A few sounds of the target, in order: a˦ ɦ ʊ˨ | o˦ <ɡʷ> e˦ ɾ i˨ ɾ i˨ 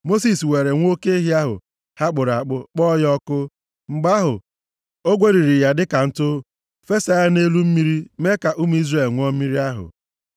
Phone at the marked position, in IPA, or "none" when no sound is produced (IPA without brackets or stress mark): ɡʷ